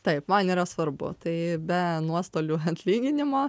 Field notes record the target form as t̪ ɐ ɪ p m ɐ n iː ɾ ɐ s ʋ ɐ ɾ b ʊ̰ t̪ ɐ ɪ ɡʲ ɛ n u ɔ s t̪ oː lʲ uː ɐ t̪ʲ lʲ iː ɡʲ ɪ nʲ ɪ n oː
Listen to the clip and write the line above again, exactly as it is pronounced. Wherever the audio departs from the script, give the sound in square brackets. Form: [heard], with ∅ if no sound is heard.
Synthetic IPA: t̪ ɐ ɪ p m ɐ n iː ɾ ɐ s ʋ ɐ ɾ b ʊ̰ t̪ ɐ ɪ [bʲ] ɛ n u ɔ s t̪ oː lʲ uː ɐ t̪ʲ lʲ iː ɡʲ ɪ nʲ ɪ [m] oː